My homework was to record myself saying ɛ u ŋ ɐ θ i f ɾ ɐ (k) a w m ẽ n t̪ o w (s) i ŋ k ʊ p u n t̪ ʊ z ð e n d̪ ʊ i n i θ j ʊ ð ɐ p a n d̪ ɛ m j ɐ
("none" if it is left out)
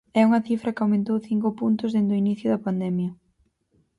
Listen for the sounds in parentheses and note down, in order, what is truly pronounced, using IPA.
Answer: k, θ

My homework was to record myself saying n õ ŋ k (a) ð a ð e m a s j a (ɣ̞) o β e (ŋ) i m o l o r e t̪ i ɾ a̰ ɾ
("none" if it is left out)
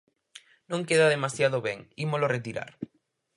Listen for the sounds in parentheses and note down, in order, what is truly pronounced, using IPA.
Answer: e, ð̞, ŋ

